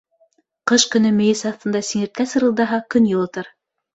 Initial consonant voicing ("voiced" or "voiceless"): voiceless